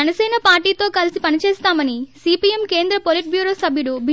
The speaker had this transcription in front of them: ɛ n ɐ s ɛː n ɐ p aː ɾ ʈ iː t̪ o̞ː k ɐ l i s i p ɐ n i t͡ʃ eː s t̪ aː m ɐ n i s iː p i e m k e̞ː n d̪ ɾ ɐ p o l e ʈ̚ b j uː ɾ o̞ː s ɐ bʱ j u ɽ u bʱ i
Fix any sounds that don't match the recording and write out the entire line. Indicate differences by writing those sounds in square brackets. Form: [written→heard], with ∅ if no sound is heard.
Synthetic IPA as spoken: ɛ n ɐ s ɛː n ɐ p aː ɾ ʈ iː t̪ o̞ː k ɐ l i s i p ɐ n i t͡ʃ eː s t̪ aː m ɐ n i s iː p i e m k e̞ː n d̪ ɾ ɐ p o l [e→i] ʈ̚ b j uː ɾ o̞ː s ɐ bʱ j u ɽ u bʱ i

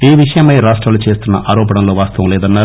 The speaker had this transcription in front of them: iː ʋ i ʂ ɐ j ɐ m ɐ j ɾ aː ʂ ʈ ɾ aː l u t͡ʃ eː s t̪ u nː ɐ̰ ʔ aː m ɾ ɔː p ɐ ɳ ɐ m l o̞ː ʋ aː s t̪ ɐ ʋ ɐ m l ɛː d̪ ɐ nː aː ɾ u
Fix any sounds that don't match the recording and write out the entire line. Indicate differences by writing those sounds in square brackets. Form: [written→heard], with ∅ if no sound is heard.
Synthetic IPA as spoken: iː ʋ i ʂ ɐ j ɐ m ɐ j ɾ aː ʂ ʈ ɾ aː l u t͡ʃ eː s t̪ u nː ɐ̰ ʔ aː [m→∅] ɾ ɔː p ɐ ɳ ɐ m l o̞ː ʋ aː s t̪ ɐ ʋ ɐ m l ɛː d̪ ɐ nː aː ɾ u

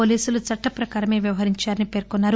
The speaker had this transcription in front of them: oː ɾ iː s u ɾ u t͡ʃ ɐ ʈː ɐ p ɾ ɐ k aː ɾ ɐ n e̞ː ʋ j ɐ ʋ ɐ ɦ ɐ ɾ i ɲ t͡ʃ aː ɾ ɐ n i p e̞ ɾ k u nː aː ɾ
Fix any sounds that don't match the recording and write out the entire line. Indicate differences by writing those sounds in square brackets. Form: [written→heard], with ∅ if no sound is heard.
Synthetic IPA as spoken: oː [ɾ→l] iː s u [ɾ→l] u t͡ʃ ɐ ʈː ɐ p ɾ ɐ k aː ɾ ɐ [n→m] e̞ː ʋ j ɐ ʋ ɐ ɦ ɐ ɾ i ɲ t͡ʃ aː ɾ ɐ n i p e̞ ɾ k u nː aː ɾ

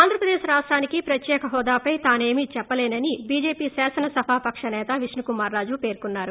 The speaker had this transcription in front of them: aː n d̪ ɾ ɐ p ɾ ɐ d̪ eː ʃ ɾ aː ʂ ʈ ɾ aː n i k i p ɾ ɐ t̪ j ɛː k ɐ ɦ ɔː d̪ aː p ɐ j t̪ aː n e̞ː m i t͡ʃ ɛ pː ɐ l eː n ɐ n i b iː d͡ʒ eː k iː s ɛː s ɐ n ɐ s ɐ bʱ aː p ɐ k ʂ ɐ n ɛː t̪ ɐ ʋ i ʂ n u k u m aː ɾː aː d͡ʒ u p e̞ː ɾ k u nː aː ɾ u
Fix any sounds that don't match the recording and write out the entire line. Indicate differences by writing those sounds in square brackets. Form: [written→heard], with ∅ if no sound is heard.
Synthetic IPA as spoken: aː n d̪ ɾ ɐ p ɾ ɐ d̪ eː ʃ ɾ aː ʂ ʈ ɾ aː n i k i p ɾ ɐ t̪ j ɛː k ɐ ɦ ɔː d̪ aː p ɐ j t̪ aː n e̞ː m i t͡ʃ ɛ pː ɐ l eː n ɐ n i b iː d͡ʒ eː [k→p] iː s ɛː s ɐ n ɐ s ɐ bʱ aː p ɐ k ʂ ɐ n ɛː t̪ ɐ ʋ i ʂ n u k u m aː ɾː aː d͡ʒ u p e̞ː ɾ k u nː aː ɾ u

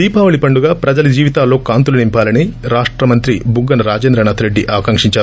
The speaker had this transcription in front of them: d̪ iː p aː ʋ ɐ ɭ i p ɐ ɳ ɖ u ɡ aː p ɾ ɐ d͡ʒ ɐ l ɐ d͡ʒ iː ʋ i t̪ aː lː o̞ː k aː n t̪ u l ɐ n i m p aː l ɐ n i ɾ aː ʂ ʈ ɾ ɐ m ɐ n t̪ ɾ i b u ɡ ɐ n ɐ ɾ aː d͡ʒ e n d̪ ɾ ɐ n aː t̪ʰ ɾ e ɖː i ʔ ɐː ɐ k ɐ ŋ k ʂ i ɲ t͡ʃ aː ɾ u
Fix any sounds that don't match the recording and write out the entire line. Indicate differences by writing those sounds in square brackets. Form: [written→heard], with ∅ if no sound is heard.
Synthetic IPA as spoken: d̪ iː p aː ʋ ɐ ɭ i p ɐ ɳ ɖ u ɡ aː p ɾ ɐ d͡ʒ ɐ l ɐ d͡ʒ iː ʋ i t̪ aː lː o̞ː k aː n t̪ u l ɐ n i m p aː l ɐ n i ɾ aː ʂ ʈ ɾ ɐ m ɐ n t̪ ɾ i b u ɡ ɐ n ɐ ɾ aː d͡ʒ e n d̪ ɾ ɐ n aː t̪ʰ ɾ e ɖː i ʔ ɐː ɐ k ɐ ŋ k ʂ i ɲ t͡ʃ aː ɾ u

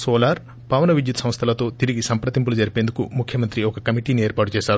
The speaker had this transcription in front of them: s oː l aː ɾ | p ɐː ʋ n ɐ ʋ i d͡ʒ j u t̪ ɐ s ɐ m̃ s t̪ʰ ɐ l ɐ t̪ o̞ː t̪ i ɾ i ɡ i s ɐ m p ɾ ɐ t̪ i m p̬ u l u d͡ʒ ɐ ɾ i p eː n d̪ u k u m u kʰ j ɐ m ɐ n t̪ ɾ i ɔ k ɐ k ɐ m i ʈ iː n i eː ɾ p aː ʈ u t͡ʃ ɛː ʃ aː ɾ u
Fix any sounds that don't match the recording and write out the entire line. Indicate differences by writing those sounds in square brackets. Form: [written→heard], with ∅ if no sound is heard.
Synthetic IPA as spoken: s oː l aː ɾ | p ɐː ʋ n ɐ ʋ i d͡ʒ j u t̪ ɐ s ɐ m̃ s t̪ʰ ɐ l ɐ t̪ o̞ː t̪ i ɾ i ɡ i s ɐ m p ɾ ɐ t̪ i m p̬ u l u d͡ʒ ɐ ɾ i p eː n d̪ u k u m u kʰ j ɐ m ɐ n t̪ ɾ i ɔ k ɐ k ɐ m i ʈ iː n i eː ɾ p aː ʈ u t͡ʃ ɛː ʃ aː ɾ u

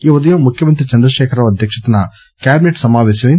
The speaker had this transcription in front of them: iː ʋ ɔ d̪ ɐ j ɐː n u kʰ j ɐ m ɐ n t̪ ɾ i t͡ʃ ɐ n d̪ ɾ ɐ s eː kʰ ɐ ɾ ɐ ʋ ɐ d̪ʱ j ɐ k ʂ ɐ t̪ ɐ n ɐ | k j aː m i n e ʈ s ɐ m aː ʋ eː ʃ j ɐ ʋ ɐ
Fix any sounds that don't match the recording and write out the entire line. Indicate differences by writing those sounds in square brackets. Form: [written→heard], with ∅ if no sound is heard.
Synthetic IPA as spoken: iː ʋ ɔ d̪ ɐ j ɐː [n→m] u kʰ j ɐ m ɐ n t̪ ɾ i t͡ʃ ɐ n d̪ ɾ ɐ [s→ʃ] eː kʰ ɐ ɾ ɐ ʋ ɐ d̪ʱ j ɐ k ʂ ɐ t̪ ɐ n ɐ | k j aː [m→b] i n e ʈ s ɐ m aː ʋ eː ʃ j ɐ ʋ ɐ

